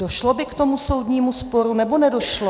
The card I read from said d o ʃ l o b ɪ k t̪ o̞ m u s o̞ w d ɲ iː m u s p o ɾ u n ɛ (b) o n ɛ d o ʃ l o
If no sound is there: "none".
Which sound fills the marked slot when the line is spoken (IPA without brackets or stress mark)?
b